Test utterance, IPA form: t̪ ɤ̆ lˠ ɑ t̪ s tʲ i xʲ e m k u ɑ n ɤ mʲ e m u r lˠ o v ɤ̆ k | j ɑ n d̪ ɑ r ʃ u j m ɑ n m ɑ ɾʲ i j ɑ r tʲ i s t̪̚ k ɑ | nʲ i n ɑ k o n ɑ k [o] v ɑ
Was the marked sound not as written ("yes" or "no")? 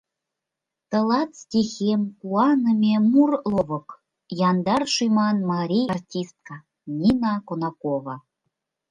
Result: no